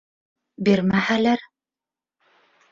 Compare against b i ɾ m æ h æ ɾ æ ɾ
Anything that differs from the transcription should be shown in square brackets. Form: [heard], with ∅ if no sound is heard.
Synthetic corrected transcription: b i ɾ m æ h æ [l] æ ɾ